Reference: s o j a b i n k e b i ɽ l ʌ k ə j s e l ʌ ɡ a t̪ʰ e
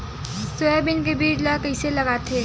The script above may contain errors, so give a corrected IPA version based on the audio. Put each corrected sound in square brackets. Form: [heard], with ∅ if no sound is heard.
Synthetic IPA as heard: s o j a b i n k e b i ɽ l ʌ k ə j s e l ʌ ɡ a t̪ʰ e